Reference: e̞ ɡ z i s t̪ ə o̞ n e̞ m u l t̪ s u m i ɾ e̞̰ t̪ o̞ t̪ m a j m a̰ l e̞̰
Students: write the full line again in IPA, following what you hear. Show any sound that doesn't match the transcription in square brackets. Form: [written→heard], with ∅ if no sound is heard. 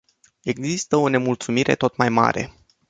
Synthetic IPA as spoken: e̞ ɡ z i s t̪ ə o̞ n e̞ m u l t̪ s u m i ɾ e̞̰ t̪ o̞ t̪ m a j m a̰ [l→ɾ] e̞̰